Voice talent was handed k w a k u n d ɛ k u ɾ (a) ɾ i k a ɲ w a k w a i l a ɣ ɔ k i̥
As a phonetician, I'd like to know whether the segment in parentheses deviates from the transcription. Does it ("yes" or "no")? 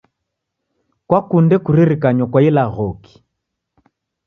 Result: yes